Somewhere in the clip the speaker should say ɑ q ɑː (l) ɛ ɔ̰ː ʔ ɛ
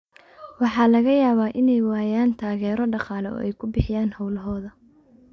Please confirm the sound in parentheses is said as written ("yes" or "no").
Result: yes